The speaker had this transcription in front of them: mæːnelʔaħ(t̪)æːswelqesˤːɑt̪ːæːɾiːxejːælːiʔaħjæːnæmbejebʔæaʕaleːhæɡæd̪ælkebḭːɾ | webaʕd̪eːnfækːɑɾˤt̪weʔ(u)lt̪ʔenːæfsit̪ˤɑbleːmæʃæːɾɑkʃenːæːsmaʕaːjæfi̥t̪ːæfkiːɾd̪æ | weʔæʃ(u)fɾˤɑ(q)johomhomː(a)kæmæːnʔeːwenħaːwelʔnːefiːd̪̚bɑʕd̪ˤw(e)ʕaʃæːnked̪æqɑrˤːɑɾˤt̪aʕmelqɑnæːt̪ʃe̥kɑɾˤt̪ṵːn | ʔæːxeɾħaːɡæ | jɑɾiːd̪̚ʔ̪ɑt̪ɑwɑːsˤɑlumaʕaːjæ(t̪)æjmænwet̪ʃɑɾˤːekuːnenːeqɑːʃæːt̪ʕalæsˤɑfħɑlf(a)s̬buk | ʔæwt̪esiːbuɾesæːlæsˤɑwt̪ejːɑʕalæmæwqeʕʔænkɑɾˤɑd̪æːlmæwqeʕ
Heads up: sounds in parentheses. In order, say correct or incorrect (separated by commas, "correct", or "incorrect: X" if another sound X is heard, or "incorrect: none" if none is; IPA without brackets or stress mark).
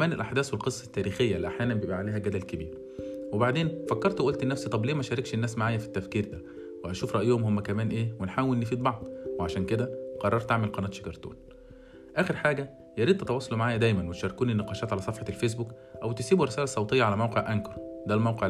incorrect: d̪, incorrect: o, incorrect: uː, incorrect: ʔ, incorrect: æ, correct, incorrect: d̪, incorrect: e